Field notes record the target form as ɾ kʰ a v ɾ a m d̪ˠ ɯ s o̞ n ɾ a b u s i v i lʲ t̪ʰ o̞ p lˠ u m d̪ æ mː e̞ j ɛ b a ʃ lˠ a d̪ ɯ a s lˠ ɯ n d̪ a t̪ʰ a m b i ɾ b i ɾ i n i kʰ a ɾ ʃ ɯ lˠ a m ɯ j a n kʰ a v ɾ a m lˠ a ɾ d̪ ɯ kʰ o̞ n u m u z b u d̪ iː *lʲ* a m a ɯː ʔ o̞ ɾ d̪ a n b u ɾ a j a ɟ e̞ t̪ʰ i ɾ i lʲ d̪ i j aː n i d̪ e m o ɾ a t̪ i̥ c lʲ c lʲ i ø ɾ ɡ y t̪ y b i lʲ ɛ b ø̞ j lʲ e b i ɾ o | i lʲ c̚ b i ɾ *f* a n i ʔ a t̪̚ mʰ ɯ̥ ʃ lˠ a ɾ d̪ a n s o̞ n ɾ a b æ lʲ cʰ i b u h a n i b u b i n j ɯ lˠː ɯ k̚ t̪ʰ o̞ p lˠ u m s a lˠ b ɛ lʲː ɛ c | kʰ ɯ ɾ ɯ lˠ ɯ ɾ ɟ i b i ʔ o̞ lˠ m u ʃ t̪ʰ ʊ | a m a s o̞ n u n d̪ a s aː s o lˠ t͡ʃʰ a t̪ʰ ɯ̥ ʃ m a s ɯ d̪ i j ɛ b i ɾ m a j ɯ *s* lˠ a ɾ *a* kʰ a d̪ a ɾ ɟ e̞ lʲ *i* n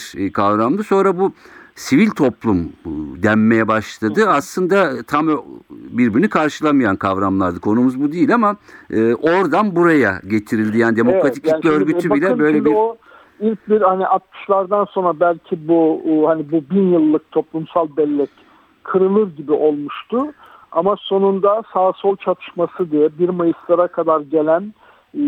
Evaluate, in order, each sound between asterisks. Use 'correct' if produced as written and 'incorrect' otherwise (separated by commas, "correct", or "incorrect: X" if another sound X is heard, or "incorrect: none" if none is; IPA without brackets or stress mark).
correct, incorrect: h, correct, correct, incorrect: æ